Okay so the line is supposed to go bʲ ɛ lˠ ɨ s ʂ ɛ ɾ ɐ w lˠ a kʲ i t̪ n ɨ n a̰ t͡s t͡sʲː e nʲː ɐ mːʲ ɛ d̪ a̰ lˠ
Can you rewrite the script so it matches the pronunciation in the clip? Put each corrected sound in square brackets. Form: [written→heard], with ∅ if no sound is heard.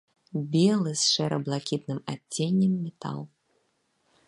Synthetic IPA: bʲ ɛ lˠ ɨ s ʂ ɛ ɾ ɐ [w→b] lˠ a kʲ i t̪ n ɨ [n→m] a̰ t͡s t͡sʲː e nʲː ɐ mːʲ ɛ [d̪→t̪] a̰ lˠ